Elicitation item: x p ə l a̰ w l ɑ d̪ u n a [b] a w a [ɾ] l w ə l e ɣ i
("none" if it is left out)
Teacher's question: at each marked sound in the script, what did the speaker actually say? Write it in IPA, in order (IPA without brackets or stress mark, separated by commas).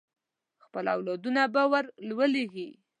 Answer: b, ɾ